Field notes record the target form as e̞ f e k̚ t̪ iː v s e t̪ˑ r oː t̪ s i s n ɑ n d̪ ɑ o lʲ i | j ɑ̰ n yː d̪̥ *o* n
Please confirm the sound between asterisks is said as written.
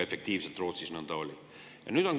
yes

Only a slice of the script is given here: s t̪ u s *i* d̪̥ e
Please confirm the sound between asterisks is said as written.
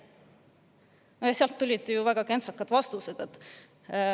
no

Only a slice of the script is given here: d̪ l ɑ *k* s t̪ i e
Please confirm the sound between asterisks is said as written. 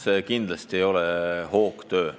no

